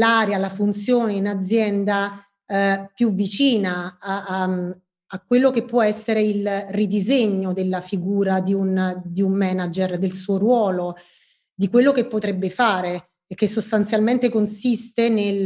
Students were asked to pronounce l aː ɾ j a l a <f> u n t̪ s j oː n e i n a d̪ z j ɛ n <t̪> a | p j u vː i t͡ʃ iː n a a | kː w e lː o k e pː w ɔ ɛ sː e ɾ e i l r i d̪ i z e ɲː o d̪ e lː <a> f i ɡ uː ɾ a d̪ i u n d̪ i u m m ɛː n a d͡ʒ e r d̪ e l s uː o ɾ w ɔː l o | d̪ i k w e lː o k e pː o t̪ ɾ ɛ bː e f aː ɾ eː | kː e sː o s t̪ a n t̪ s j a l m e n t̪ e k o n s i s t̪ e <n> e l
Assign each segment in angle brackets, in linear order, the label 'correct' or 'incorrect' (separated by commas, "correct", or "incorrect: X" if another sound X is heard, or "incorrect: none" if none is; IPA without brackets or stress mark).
correct, incorrect: d̪, correct, correct